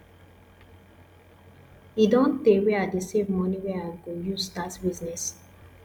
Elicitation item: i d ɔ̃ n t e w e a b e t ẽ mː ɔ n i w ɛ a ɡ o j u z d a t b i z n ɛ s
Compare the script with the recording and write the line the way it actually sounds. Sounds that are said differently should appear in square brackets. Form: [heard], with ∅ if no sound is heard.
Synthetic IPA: i d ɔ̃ n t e w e a [d] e [s] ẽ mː ɔ n i w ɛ a ɡ o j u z d a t b i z n ɛ s